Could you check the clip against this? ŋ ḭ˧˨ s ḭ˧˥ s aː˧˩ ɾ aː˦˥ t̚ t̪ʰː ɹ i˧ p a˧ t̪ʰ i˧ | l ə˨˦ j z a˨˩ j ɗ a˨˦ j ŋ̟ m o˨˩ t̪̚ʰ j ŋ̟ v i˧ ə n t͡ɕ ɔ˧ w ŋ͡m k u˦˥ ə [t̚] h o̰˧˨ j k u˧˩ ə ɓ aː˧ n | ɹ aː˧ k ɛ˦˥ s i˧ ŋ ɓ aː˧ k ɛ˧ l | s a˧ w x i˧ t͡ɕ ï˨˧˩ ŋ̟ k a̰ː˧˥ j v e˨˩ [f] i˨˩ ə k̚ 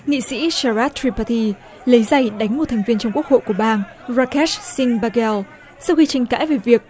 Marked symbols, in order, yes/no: no, no

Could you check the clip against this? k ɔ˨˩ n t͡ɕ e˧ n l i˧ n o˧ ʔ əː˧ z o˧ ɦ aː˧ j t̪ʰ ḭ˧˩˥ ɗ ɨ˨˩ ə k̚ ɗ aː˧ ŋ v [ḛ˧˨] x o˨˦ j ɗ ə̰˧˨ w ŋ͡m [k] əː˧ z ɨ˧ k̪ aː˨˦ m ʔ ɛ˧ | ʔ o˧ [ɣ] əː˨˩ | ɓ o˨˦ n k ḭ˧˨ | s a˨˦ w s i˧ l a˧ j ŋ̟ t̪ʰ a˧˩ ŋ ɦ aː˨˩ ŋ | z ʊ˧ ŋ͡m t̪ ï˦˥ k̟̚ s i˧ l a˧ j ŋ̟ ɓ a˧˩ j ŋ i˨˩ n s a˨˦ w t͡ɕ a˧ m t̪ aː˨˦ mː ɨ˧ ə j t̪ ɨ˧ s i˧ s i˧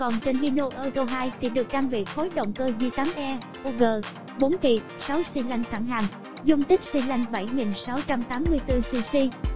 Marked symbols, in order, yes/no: no, yes, yes

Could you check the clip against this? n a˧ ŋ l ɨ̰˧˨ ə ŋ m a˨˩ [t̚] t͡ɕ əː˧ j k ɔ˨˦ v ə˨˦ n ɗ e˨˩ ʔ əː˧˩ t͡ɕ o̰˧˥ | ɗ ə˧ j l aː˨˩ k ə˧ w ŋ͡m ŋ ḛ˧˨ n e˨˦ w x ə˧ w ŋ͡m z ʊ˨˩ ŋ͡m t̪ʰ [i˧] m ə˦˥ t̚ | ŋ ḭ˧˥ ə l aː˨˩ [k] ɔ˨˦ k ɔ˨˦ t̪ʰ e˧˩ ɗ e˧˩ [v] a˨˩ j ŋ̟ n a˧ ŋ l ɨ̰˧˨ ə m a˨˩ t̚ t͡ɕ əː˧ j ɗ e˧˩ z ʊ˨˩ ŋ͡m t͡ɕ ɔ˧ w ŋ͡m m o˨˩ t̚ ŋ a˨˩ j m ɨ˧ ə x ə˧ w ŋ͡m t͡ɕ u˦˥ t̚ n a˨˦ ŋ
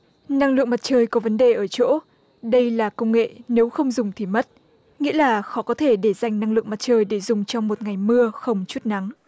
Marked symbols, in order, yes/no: yes, no, no, no

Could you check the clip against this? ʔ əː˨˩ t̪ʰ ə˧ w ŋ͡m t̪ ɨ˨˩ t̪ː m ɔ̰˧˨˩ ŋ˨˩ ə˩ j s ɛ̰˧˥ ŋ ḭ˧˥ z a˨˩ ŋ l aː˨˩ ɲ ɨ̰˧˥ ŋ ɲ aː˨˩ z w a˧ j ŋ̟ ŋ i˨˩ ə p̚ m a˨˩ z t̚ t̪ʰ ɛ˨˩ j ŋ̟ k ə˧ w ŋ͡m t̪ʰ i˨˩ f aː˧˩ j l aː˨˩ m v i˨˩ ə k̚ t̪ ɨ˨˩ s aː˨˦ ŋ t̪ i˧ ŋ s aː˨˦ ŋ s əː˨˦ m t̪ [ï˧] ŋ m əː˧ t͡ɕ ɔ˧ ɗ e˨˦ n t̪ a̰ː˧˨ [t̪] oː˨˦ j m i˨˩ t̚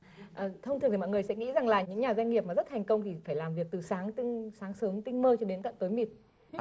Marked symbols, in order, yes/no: yes, yes

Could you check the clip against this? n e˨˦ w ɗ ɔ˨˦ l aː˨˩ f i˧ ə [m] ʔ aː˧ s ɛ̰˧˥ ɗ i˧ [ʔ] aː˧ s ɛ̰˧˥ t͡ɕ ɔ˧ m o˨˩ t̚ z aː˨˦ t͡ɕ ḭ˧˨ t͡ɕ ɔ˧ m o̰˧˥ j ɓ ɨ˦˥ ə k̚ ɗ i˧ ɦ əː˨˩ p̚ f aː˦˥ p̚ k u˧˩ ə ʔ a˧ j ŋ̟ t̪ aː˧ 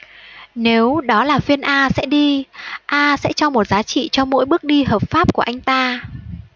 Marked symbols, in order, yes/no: no, yes

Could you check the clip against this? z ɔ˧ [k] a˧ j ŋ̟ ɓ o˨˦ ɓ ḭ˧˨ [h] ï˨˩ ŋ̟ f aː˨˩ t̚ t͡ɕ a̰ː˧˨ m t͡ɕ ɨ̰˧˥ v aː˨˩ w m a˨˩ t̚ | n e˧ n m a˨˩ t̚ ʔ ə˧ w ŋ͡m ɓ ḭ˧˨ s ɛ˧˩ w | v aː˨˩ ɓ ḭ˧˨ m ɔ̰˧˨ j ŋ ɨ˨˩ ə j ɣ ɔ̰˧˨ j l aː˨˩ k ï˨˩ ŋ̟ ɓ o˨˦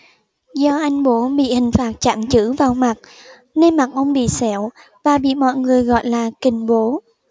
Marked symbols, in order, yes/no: no, yes

